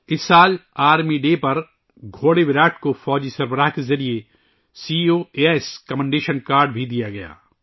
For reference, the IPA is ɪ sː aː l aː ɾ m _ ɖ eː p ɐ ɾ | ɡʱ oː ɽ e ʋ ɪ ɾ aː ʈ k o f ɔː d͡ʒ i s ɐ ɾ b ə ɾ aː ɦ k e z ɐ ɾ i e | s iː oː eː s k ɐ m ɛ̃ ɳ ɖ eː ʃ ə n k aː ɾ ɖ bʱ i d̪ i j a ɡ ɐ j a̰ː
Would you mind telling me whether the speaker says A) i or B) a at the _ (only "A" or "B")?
A